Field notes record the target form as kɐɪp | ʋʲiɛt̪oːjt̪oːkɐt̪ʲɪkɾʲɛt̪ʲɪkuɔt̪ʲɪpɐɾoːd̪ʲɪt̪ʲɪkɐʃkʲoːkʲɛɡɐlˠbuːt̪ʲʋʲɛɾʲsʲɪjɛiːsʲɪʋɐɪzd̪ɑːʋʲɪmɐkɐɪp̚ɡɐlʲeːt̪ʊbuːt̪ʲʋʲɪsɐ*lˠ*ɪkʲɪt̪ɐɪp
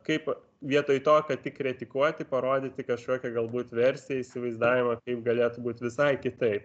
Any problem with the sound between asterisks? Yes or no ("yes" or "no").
yes